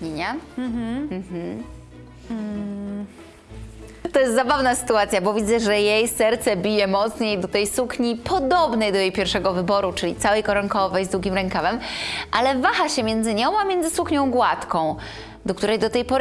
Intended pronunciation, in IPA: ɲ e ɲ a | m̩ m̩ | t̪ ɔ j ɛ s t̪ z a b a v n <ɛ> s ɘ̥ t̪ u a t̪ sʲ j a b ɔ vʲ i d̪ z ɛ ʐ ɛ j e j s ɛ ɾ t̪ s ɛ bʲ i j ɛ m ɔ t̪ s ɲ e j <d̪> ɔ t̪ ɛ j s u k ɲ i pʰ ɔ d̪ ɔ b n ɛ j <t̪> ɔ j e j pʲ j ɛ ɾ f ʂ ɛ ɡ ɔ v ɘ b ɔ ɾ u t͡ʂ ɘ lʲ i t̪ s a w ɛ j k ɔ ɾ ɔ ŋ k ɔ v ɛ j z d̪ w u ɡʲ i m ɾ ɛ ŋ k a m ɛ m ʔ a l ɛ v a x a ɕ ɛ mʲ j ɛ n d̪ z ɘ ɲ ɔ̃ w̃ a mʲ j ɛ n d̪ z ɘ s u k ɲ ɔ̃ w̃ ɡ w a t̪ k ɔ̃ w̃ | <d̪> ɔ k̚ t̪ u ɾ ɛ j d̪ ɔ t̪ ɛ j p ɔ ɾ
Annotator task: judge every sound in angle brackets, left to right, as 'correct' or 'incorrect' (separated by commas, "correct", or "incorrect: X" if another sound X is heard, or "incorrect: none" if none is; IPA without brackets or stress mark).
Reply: incorrect: a, correct, incorrect: d̪, correct